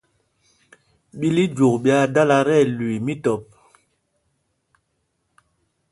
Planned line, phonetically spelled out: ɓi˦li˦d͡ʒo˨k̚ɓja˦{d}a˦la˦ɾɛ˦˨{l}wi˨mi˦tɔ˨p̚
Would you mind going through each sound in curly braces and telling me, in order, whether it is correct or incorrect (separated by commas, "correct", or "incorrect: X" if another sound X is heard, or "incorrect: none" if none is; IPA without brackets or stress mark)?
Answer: correct, correct